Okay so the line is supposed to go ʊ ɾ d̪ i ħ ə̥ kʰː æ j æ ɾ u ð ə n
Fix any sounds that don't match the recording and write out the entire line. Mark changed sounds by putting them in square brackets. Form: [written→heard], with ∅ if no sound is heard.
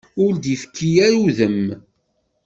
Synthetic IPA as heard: ʊ ɾ d̪ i [ħ→f] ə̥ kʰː [æ→i] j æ ɾ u ð ə [n→m]